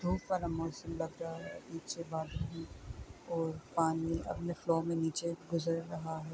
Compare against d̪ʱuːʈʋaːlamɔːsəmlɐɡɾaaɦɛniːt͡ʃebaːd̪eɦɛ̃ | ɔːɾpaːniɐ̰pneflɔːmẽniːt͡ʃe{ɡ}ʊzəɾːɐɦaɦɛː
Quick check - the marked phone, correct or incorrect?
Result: correct